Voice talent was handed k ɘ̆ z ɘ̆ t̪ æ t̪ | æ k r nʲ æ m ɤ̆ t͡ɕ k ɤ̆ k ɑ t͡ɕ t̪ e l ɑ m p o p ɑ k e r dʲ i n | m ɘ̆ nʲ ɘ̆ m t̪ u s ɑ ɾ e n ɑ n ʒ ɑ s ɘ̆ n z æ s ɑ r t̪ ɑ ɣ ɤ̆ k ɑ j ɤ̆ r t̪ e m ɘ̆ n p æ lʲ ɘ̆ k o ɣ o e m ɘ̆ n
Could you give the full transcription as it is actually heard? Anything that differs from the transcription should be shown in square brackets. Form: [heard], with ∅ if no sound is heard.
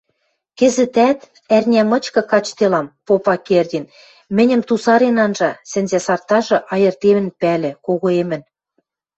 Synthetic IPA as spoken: k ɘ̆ z ɘ̆ t̪ æ t̪ | æ [∅] r nʲ æ m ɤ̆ t͡ɕ k ɤ̆ k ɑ t͡ɕ t̪ e l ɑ m p o p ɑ k e r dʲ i n | m ɘ̆ nʲ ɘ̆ m t̪ u s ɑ ɾ e n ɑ n ʒ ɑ s ɘ̆ n z æ s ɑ r t̪ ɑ [ʒ] ɤ̆ [ʔ] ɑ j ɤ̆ r t̪ e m ɘ̆ n p æ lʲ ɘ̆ k o ɣ o e m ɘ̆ n